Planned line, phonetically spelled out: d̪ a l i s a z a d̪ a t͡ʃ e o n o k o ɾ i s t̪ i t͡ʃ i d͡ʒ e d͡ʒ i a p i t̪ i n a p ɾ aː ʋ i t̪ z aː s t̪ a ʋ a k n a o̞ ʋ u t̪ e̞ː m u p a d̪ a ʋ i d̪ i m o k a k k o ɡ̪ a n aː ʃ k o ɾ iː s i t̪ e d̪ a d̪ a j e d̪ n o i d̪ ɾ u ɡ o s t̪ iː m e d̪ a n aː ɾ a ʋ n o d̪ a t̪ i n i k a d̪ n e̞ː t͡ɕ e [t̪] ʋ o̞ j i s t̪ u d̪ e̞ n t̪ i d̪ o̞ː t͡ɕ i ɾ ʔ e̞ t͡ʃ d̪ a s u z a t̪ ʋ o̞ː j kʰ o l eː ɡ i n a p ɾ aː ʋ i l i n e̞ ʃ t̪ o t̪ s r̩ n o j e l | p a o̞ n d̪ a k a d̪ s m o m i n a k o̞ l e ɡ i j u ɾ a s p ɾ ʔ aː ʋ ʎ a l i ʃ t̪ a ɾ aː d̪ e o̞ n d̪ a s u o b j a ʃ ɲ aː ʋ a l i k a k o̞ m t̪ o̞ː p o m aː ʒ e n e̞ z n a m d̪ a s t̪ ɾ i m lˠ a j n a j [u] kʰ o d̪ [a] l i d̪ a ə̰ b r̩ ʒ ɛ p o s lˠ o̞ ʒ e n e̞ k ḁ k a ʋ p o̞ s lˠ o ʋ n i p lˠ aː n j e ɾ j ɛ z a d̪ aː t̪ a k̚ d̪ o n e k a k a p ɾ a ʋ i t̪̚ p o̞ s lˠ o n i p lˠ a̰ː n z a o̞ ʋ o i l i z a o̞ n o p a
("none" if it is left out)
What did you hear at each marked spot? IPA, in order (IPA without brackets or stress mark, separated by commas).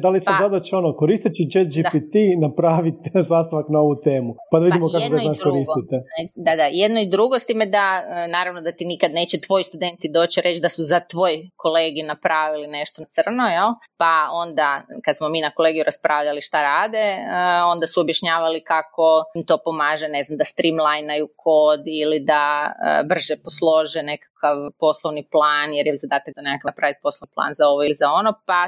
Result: t̪, u, i